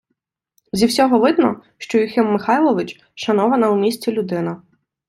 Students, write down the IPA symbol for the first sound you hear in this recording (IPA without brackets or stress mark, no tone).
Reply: zʲ